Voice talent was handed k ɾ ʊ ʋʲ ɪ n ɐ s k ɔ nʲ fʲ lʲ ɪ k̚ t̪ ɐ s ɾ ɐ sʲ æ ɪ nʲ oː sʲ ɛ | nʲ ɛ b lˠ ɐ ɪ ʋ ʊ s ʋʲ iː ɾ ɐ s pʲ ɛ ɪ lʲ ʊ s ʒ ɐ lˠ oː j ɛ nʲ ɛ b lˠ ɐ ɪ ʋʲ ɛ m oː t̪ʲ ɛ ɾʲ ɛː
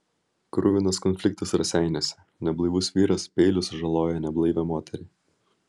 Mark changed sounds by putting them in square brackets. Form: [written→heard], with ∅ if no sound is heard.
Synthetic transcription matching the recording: k ɾ ʊ ʋʲ ɪ n ɐ s k ɔ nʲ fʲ lʲ ɪ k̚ t̪ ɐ s ɾ ɐ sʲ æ ɪ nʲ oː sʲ ɛ | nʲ ɛ b lˠ ɐ ɪ ʋ ʊ s ʋʲ iː ɾ ɐ s pʲ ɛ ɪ lʲ ʊ s ʒ ɐ lˠ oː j ɛ nʲ ɛ b lˠ ɐ ɪ ʋʲ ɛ m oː t̪ʲ ɛ ɾʲ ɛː